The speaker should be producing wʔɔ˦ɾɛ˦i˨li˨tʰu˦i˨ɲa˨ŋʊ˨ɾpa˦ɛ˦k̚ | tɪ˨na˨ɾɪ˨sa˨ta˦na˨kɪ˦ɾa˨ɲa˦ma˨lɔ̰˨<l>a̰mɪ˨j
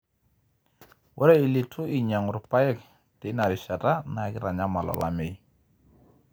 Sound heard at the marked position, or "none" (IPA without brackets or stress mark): l